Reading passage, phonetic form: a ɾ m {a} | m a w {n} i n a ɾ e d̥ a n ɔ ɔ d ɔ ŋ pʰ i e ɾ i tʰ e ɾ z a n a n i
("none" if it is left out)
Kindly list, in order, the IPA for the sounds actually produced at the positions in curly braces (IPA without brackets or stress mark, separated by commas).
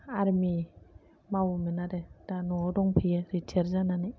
i, m